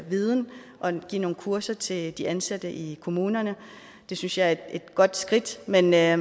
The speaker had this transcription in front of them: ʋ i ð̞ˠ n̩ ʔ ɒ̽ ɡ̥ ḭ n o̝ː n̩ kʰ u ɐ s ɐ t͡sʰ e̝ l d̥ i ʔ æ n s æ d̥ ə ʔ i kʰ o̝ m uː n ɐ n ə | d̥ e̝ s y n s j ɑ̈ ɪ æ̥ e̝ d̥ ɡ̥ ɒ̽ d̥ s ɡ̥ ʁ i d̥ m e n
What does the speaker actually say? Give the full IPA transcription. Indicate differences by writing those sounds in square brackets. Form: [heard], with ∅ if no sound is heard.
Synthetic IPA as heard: ʋ i ð̞ˠ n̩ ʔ ɒ̽ ɡ̥ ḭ n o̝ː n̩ kʰ u ɐ s ɐ t͡sʰ e̝ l d̥ i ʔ æ n s æ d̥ ə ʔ i kʰ o̝ m uː n ɐ n ə | d̥ e̝ s y n s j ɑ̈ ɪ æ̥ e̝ d̥ ɡ̥ ɒ̽ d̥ s ɡ̥ ʁ i d̥ m e n